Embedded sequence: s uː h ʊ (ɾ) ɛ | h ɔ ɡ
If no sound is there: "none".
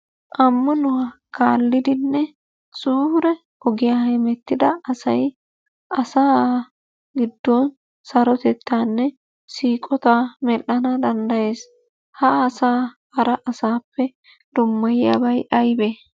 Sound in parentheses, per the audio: ɾ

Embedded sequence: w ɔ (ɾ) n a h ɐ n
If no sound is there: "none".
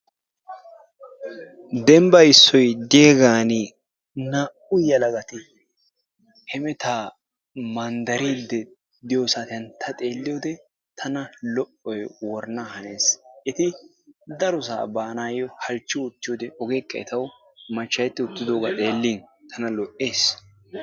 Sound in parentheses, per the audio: ɾ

